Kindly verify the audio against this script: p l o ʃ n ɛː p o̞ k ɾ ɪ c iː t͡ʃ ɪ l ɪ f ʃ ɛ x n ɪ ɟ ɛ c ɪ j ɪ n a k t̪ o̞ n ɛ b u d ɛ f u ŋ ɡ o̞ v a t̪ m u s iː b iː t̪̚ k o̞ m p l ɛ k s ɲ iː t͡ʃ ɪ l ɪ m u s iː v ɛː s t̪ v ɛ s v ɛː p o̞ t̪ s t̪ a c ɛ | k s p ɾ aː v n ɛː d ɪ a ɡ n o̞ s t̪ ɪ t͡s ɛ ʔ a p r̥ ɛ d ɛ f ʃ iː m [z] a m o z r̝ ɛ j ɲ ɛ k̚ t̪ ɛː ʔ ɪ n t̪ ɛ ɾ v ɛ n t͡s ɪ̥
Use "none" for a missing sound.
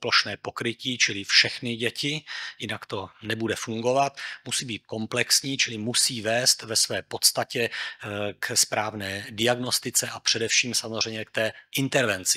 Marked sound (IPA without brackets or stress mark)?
s